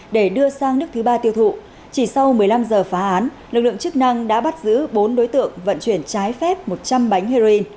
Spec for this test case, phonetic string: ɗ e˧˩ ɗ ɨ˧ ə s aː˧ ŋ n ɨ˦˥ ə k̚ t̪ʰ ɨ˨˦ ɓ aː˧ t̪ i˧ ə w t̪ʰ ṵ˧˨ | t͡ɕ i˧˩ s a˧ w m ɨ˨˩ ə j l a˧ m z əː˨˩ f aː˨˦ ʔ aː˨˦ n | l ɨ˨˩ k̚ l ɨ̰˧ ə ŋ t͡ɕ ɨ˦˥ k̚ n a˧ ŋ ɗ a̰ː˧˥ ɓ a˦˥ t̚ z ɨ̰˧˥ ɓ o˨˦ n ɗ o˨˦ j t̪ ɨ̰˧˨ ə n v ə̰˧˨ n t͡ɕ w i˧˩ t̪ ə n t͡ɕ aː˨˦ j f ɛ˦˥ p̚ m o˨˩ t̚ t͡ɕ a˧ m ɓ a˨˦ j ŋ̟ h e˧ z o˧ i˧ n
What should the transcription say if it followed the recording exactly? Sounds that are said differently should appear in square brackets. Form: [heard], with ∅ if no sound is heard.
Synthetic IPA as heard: ɗ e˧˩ ɗ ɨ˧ ə s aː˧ ŋ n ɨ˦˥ ə k̚ t̪ʰ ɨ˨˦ ɓ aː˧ t̪ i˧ ə w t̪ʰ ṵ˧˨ | t͡ɕ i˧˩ s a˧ w m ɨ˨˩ ə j l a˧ m z əː˨˩ f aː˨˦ ʔ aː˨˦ n | l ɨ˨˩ k̚ l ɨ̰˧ ə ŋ t͡ɕ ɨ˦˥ k̚ n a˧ ŋ ɗ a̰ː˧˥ ɓ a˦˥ t̚ z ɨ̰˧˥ ɓ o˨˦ n ɗ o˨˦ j t̪ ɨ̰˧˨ ə [ŋ] v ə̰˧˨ n t͡ɕ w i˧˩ [∅] ə n t͡ɕ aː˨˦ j f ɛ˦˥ p̚ m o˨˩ t̚ t͡ɕ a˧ m ɓ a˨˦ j ŋ̟ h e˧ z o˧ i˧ n